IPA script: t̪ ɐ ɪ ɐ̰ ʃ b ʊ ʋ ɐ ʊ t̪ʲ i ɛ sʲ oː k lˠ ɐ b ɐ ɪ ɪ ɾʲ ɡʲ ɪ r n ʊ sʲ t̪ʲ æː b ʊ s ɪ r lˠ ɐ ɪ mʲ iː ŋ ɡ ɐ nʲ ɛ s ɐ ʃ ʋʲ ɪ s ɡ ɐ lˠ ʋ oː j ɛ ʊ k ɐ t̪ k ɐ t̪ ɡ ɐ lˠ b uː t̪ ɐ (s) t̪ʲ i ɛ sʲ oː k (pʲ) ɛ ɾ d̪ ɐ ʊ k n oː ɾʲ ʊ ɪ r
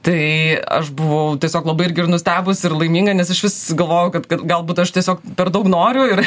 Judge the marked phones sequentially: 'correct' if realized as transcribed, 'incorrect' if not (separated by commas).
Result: incorrect, correct